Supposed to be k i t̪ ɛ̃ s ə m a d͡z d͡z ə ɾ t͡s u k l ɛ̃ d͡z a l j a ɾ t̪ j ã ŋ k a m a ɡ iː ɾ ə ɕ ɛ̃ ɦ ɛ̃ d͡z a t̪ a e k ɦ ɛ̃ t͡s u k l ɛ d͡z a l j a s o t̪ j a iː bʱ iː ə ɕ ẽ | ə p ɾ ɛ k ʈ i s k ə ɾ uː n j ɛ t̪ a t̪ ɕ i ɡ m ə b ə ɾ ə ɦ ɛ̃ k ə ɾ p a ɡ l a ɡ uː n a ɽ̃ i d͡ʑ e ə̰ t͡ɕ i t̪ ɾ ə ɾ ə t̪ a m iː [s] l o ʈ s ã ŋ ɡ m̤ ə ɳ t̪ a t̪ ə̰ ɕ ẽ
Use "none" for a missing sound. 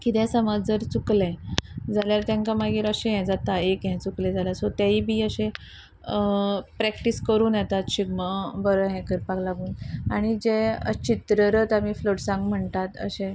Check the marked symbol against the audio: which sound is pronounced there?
f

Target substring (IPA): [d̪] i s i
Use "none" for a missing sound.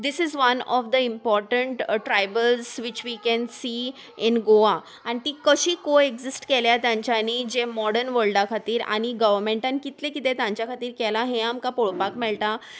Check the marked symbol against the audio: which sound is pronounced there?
d̪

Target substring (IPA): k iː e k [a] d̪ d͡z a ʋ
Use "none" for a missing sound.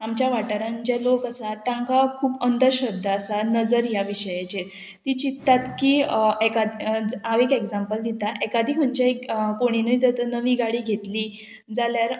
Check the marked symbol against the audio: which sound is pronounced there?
a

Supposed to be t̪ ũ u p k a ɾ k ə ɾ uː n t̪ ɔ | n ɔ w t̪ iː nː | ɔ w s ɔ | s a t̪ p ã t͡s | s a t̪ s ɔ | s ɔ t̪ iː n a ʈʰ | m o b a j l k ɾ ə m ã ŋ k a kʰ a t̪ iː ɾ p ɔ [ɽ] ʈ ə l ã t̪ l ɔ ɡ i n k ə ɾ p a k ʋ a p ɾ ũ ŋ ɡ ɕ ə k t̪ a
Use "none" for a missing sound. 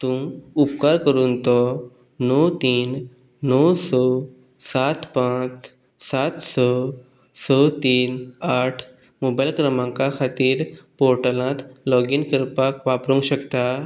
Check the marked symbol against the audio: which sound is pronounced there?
ɾ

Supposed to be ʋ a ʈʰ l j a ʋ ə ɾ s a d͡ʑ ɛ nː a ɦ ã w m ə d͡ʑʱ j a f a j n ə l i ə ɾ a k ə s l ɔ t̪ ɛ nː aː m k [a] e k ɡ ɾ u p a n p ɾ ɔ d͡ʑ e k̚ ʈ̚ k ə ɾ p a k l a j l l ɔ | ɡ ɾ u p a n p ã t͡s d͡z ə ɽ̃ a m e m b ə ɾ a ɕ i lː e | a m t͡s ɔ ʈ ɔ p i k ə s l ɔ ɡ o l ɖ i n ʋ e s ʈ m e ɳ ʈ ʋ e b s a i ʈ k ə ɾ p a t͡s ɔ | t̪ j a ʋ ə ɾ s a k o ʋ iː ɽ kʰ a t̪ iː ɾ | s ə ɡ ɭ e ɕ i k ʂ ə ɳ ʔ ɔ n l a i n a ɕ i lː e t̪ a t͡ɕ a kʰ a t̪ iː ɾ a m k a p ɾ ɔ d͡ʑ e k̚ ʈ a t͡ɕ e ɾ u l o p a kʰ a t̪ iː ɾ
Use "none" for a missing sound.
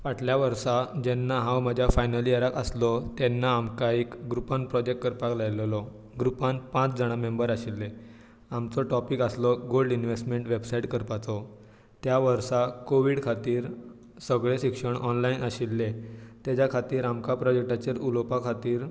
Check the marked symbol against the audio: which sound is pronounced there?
a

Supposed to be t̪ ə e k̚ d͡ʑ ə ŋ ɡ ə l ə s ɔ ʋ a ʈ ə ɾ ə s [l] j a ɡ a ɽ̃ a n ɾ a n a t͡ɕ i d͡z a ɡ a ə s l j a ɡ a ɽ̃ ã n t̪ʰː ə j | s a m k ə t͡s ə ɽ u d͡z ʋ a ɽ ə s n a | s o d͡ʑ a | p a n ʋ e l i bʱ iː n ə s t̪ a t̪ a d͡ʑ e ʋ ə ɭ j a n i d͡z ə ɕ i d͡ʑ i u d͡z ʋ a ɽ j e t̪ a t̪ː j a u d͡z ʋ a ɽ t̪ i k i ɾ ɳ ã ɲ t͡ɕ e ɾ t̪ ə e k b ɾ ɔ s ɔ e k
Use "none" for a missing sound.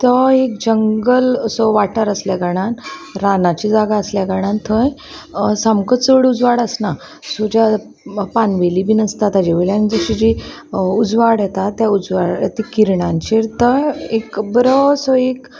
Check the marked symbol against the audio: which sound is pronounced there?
l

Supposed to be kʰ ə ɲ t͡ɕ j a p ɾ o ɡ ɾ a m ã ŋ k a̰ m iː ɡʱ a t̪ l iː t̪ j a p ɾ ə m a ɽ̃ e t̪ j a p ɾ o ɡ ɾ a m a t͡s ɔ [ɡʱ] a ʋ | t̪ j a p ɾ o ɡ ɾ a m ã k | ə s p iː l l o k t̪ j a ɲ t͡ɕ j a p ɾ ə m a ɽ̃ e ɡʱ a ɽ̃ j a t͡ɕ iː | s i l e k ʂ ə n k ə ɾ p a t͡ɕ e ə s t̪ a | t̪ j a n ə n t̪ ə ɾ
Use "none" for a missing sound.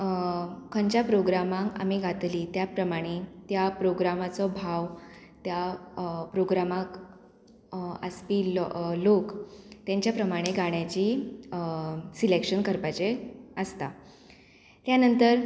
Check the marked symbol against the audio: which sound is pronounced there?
bʱ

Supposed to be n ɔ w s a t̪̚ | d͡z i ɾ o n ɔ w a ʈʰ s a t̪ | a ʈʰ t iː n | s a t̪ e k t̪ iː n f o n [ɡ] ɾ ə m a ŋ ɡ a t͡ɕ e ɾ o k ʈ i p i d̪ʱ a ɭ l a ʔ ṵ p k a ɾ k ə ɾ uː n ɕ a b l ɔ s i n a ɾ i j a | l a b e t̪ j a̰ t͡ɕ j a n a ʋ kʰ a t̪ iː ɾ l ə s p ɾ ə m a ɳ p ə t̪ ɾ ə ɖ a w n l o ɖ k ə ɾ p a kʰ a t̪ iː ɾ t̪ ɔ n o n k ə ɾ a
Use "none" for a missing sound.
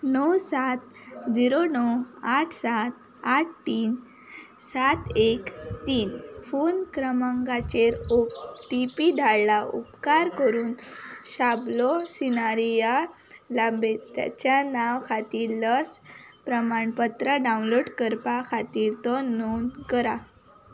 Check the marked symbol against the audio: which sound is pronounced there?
k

